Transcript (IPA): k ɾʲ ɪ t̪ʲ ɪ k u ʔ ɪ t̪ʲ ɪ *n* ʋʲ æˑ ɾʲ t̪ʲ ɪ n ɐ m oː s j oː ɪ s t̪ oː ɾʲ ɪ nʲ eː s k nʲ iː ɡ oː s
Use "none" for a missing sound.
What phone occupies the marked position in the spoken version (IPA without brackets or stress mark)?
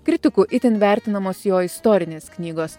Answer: n